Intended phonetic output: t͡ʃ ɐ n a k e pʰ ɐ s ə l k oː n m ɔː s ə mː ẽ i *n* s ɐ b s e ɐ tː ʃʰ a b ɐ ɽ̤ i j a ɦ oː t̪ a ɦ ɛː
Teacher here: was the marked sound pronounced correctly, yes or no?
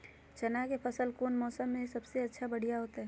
no